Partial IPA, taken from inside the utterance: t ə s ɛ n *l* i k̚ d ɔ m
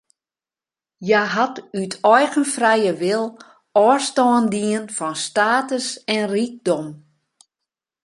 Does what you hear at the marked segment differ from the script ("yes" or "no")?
yes